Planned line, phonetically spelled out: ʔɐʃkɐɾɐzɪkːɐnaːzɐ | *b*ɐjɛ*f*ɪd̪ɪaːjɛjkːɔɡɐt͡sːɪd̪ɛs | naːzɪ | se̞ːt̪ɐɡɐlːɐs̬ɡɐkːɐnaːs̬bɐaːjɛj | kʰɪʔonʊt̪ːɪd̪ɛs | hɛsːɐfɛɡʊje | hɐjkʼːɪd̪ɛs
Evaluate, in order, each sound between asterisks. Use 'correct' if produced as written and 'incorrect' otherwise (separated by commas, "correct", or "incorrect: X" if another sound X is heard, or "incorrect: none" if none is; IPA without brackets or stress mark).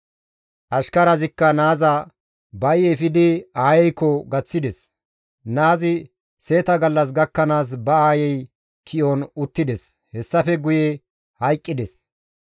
correct, correct